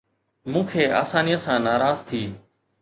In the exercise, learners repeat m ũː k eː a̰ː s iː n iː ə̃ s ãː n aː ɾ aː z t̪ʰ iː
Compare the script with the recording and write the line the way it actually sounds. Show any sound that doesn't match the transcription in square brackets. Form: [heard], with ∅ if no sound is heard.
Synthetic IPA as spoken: m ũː [kʰ] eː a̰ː s [aː] n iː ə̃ s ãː n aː ɾ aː z t̪ʰ iː